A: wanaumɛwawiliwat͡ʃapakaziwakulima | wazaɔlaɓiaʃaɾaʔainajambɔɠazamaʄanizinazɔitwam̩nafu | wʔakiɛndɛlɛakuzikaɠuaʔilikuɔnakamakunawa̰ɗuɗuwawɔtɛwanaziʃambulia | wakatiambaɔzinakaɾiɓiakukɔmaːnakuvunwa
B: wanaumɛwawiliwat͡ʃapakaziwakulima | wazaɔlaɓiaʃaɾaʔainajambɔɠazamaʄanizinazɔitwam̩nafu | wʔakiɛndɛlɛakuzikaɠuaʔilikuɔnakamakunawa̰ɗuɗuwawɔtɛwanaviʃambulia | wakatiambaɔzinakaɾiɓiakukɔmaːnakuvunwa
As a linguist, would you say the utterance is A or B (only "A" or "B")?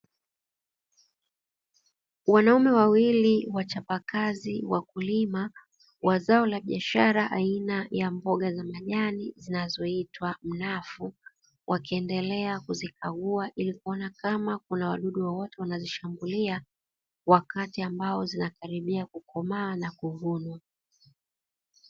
A